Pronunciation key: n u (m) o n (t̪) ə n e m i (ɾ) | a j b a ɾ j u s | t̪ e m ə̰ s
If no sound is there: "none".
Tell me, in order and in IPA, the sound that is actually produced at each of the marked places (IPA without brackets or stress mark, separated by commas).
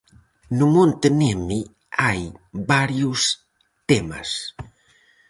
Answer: m, t̪, none